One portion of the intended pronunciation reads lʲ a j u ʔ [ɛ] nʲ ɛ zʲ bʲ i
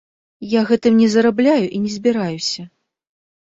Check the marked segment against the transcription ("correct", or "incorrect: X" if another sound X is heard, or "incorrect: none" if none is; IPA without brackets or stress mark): incorrect: i